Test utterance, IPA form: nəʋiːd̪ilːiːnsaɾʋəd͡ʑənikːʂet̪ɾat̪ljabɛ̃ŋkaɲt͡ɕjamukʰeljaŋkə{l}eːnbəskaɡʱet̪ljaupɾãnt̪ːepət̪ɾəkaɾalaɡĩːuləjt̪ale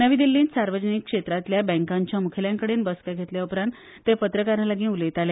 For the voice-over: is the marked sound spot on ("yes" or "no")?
no